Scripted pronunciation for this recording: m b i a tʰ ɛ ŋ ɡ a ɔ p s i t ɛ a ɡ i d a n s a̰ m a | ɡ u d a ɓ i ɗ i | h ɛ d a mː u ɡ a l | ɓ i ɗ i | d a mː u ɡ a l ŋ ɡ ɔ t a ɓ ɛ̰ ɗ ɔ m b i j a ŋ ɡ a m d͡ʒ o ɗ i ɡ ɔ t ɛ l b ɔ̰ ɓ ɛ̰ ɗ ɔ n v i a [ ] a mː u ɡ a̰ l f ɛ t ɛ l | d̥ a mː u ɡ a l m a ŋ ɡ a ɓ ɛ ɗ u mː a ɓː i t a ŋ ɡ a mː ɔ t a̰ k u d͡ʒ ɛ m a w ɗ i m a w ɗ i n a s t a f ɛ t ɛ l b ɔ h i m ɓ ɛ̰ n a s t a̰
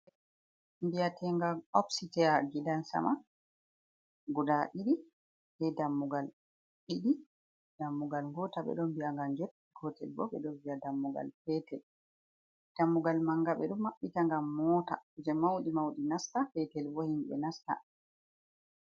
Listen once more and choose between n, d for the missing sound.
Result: d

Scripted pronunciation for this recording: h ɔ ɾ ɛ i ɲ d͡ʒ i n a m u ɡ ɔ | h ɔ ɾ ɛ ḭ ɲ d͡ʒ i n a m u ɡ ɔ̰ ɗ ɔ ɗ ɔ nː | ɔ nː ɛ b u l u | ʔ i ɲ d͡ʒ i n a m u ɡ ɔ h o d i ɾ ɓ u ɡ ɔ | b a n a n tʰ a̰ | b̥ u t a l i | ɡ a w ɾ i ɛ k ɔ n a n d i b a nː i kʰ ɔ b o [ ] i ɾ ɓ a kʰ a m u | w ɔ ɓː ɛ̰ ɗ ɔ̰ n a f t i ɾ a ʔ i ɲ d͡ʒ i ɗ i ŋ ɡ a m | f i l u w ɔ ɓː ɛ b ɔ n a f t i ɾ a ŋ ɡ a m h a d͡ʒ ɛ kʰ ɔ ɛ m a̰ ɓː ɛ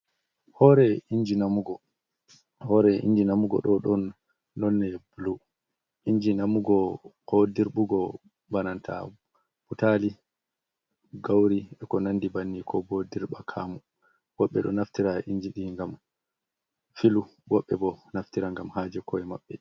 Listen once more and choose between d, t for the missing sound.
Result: d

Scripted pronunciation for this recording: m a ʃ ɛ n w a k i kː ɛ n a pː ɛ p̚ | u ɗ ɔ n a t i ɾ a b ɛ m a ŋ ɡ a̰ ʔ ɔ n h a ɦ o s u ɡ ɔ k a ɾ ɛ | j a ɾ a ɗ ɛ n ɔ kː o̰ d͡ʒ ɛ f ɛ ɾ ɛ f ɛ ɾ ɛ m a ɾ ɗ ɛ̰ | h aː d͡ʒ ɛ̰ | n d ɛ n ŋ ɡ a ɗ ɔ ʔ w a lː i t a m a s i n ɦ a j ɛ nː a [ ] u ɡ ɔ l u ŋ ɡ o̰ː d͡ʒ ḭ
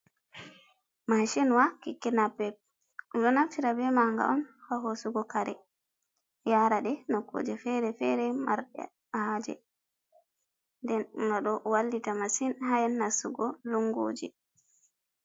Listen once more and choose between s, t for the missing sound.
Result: s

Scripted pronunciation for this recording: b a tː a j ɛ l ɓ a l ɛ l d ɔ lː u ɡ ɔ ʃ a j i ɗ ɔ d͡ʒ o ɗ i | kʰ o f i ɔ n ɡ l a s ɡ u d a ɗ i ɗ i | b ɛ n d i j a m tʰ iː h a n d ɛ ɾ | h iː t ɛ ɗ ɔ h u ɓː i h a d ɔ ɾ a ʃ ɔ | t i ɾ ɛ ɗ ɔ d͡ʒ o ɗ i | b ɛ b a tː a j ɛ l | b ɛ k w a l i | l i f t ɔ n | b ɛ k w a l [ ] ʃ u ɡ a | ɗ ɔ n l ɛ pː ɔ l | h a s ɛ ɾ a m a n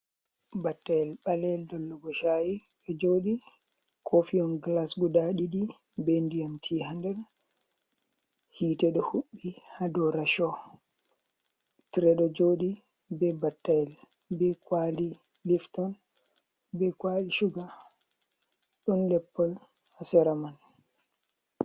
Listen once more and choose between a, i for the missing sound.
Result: i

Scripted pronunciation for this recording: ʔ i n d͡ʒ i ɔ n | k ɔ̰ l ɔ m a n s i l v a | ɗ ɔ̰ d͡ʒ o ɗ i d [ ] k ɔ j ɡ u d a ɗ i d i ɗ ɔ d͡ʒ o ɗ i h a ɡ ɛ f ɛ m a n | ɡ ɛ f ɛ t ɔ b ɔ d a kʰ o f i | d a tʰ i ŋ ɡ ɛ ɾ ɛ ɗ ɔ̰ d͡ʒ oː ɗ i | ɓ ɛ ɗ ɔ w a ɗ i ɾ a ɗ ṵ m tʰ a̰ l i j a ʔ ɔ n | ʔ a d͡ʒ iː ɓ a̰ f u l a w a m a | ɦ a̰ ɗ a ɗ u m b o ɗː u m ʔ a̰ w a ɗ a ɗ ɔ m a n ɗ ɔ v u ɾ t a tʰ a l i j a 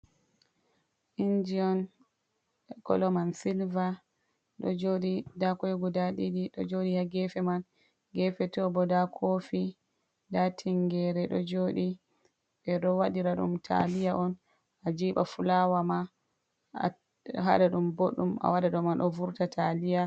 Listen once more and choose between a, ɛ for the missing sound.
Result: a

